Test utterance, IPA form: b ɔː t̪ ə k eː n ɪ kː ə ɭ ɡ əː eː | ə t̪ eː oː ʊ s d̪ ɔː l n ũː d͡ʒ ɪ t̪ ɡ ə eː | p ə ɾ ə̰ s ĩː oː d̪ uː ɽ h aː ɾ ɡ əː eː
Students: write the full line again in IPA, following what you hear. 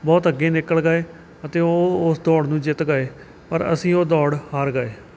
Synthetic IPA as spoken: b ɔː t̪ ə ɡ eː n ɪ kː ə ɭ ɡ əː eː | ə t̪ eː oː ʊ s d̪ ɔː ɽ n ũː d͡ʒ ɪ t̪ ɡ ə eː | p ə ɾ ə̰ s ĩː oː d̪ ɔː ɽ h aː ɾ ɡ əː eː